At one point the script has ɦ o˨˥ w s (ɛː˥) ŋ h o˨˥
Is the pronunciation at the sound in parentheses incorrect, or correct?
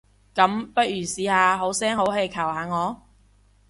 correct